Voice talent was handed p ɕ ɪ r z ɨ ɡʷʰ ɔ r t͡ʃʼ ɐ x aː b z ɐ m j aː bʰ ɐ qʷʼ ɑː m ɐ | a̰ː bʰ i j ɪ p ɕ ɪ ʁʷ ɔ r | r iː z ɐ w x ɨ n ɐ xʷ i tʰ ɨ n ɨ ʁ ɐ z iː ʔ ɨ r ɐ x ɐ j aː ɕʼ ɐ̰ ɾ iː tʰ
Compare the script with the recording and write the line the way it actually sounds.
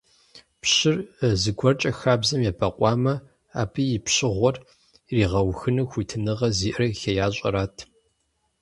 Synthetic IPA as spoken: p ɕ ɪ r z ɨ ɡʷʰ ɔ r t͡ʃʼ ɐ x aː b z ɐ m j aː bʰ ɐ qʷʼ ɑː m ɐ | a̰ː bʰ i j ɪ p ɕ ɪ ʁʷ ɔ r | r iː ʁ ɐ w x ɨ n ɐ xʷ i tʰ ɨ n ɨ ʁ ɐ z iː ʔ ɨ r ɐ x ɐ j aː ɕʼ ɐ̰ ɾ aː tʰ